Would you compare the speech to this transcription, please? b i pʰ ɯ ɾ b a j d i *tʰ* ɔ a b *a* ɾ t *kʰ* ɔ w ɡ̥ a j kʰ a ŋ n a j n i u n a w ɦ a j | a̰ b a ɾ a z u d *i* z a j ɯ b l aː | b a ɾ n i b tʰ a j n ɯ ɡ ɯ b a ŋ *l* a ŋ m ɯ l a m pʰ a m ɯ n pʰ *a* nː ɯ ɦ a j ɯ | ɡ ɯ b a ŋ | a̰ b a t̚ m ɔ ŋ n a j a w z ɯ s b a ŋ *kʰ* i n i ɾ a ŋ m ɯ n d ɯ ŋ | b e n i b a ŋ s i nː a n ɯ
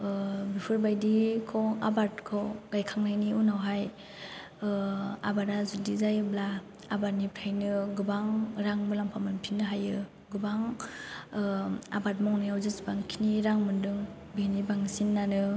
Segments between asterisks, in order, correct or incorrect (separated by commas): incorrect, correct, correct, correct, incorrect, incorrect, correct